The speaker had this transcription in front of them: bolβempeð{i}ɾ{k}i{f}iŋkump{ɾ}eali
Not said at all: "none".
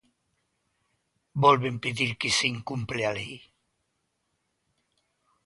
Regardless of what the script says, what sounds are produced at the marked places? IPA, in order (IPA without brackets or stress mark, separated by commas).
i, k, s, l